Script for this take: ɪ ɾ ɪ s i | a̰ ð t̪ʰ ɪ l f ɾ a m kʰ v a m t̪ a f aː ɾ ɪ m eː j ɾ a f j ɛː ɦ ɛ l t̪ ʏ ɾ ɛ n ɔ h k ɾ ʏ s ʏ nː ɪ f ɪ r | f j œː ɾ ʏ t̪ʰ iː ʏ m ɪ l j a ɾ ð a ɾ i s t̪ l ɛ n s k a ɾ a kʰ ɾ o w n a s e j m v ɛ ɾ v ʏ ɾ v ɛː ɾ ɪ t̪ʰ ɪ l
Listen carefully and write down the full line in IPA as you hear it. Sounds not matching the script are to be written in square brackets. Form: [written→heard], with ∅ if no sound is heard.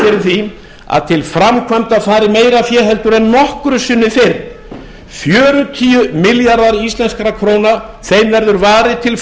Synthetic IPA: ɪ ɾ ɪ [s→θ] i | a̰ ð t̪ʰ ɪ l f ɾ a m kʰ v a m t̪ a f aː ɾ ɪ m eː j ɾ a f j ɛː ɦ ɛ l t̪ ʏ ɾ ɛ [n→nː] ɔ h k ɾ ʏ s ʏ nː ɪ f ɪ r | f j œː ɾ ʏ t̪ʰ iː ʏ m ɪ l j a ɾ ð a ɾ i s t̪ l ɛ n s k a ɾ a kʰ ɾ o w n a [s→θ] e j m v ɛ ɾ [v→ð] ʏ ɾ v [ɛː→aː] ɾ ɪ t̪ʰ ɪ l